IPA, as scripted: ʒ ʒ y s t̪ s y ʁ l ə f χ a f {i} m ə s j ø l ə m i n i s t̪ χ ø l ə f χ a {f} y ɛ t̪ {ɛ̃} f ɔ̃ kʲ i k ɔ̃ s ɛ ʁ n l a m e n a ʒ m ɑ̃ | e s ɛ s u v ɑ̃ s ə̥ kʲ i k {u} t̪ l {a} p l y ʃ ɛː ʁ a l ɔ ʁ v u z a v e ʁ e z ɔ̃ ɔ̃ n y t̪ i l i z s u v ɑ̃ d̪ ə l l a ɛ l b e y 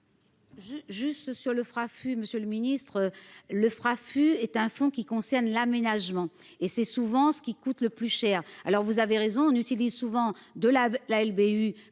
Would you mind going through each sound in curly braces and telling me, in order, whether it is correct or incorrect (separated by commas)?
incorrect, correct, correct, correct, incorrect